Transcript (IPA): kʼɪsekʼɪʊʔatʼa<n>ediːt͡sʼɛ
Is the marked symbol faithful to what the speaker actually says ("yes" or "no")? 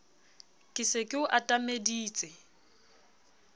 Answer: no